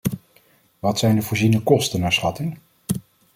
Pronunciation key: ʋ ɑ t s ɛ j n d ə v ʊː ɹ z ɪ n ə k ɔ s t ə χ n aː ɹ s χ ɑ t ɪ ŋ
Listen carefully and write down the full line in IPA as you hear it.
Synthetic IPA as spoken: ʋ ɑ t s ɛ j n d ə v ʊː ɹ z i n ə k ɔ s t ə n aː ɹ s χ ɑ t ɪ ŋ